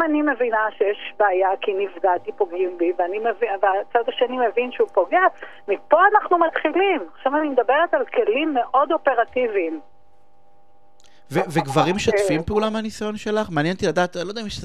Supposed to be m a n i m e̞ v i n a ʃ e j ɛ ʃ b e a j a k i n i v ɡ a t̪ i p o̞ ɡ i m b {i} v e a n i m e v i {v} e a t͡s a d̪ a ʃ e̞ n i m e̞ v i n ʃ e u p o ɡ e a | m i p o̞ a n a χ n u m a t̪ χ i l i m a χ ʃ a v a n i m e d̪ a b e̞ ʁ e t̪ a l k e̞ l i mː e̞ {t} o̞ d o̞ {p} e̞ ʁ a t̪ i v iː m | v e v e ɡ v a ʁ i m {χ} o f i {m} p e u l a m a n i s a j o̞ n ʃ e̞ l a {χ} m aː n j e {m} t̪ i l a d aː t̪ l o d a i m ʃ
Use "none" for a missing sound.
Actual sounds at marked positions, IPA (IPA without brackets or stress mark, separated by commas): i, v, ʔ, p, ʃ, m, χ, n